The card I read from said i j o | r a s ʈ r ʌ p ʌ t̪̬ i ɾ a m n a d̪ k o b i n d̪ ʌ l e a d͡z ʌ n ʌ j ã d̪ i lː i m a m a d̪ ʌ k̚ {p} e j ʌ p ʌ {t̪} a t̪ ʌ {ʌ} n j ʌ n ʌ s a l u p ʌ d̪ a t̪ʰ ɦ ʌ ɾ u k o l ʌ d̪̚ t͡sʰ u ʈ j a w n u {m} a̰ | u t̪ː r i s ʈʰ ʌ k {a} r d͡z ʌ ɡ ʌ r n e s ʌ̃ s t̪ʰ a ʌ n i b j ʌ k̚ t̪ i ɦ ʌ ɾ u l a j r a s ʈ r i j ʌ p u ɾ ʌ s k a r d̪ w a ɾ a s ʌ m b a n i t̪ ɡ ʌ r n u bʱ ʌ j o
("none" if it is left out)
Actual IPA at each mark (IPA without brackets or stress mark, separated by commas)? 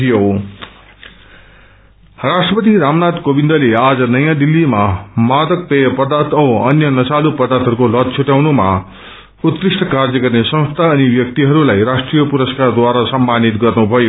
p, d̪, ʌ, m, a